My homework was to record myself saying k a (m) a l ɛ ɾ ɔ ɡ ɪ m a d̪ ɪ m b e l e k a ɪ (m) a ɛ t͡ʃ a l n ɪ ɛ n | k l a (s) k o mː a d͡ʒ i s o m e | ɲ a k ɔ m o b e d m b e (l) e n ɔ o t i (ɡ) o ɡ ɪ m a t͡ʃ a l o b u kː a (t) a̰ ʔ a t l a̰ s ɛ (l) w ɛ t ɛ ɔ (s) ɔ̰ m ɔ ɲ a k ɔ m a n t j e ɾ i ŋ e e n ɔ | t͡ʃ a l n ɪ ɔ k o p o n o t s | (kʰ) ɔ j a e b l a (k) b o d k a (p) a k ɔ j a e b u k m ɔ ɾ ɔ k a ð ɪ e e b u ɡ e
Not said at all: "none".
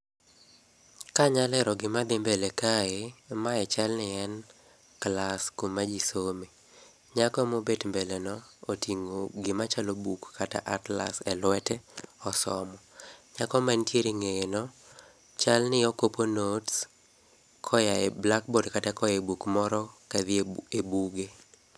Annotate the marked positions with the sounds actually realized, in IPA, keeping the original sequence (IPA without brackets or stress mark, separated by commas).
ɲ, m, s, l, ŋ, t, l, s, kʰ, k, t